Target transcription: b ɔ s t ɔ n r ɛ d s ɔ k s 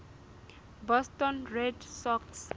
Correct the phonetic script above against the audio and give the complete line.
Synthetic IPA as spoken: b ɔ s t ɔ n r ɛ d s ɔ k s